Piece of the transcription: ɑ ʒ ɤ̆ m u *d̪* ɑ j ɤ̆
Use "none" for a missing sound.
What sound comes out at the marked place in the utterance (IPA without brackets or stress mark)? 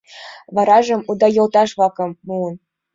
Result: d̪